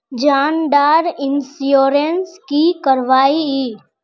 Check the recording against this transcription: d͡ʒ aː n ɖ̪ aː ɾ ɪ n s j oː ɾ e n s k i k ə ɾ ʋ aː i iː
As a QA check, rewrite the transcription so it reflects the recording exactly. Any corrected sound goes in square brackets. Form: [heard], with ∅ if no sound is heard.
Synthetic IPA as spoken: d͡ʒ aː n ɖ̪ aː ɾ ɪ n s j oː ɾ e n s k i k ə ɾ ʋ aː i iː